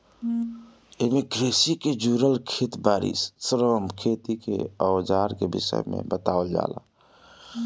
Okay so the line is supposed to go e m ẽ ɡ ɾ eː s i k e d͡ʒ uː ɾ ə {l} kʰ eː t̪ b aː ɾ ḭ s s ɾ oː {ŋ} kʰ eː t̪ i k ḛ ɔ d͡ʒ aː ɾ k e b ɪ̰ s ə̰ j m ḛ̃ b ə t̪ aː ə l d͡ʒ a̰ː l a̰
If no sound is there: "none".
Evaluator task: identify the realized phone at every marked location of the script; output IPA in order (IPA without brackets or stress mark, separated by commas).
l, m